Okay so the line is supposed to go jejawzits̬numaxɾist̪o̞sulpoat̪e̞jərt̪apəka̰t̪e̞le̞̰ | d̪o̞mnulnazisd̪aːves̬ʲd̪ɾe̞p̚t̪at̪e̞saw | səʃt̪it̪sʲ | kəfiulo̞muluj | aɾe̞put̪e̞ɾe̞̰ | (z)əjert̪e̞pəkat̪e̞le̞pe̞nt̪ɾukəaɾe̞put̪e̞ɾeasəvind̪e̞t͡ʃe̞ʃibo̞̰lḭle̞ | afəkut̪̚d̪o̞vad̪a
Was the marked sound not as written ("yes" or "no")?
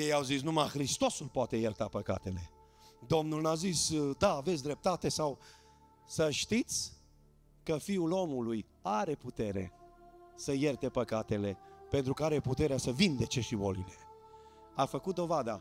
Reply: yes